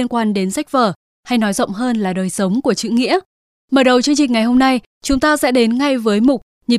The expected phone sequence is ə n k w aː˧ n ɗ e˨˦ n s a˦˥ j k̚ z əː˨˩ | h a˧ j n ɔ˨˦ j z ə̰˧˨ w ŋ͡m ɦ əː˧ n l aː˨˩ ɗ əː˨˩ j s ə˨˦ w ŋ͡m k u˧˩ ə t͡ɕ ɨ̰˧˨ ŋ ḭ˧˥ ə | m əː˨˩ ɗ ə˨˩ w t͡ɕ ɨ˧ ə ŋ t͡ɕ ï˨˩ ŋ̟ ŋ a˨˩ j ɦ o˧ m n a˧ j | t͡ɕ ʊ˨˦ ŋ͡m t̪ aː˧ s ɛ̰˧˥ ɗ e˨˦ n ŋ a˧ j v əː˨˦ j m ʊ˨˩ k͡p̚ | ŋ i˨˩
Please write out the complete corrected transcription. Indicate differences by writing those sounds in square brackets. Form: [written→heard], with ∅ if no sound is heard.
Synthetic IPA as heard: ə n k w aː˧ n ɗ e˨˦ n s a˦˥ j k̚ [z→v] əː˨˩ | h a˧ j n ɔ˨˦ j z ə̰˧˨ w ŋ͡m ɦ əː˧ n l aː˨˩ ɗ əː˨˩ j s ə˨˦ w ŋ͡m k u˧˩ ə t͡ɕ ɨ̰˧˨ ŋ ḭ˧˥ ə | m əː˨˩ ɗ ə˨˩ w t͡ɕ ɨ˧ ə ŋ t͡ɕ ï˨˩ ŋ̟ ŋ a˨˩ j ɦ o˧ m n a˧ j | t͡ɕ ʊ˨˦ ŋ͡m t̪ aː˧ s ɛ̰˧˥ ɗ e˨˦ n ŋ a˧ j v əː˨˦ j m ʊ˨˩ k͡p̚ | [ŋ→ɲ] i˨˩